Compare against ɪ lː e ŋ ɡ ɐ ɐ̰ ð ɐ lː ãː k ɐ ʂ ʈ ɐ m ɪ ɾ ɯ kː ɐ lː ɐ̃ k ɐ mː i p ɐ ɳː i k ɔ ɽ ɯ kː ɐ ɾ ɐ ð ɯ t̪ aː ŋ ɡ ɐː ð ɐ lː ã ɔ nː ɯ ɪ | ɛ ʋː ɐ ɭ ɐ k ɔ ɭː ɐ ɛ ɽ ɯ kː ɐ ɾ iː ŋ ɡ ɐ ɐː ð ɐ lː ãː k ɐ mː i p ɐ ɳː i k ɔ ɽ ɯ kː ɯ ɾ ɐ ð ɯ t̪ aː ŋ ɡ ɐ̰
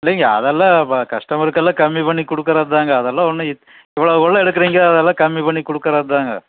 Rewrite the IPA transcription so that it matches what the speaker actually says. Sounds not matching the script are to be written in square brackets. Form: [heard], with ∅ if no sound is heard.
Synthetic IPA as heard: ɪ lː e ŋ ɡ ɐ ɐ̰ ð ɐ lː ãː k ɐ ʂ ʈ ɐ m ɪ ɾ ɯ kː ɐ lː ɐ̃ k ɐ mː i p ɐ ɳː i k ɔ ɽ ɯ kː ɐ ɾ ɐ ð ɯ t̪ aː ŋ ɡ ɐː ð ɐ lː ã ɔ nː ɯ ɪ | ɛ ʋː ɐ ɭ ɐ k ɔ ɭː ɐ ɛ ɽ ɯ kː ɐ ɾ iː ŋ ɡ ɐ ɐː ð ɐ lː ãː k ɐ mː i p ɐ ɳː i k ɔ ɽ ɯ kː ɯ ɾ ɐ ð ɯ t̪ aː ŋ ɡ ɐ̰